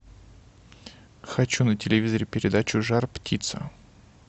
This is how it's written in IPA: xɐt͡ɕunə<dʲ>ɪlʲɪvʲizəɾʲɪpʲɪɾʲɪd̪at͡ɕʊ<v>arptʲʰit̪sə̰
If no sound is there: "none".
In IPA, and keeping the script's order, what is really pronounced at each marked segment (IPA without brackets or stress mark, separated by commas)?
tʲ, ʐ